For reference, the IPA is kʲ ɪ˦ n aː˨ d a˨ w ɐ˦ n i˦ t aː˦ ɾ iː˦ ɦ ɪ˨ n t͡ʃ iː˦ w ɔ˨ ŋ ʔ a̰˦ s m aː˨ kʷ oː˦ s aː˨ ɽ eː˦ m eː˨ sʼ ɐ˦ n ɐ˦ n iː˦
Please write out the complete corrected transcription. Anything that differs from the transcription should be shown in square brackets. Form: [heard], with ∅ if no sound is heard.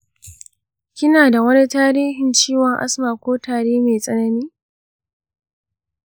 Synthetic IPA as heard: kʲ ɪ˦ n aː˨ d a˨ w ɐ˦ n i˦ t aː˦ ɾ iː˦ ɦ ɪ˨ n t͡ʃ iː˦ w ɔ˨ ŋ ʔ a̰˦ s m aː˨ kʷ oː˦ [t] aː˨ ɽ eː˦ m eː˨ sʼ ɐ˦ n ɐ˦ n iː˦